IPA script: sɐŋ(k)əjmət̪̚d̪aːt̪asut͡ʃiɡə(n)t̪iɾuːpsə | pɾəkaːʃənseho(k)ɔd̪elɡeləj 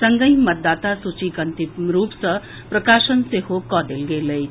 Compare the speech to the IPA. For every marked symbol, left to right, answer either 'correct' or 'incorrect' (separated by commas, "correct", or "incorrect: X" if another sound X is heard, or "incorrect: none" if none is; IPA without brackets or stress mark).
incorrect: ɡ, correct, correct